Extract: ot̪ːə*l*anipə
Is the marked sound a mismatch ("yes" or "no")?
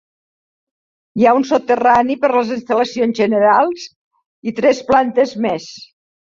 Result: yes